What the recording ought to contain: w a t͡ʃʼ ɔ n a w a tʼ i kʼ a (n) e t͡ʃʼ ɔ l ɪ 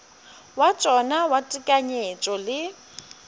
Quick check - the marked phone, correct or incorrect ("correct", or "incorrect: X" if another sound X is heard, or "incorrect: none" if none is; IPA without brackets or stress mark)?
incorrect: ɲ